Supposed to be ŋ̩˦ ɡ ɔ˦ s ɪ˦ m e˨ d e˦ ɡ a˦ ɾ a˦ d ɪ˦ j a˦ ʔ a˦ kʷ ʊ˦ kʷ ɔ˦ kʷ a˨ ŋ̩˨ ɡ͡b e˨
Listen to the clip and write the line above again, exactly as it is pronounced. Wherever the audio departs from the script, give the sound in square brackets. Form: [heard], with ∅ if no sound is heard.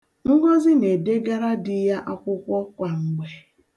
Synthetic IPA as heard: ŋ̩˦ ɡ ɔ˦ [z] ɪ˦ [n] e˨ d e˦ ɡ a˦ ɾ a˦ d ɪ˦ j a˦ ʔ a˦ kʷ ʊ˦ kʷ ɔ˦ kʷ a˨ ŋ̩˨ ɡ͡b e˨